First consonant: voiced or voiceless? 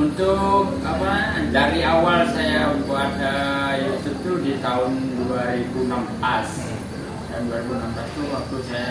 voiced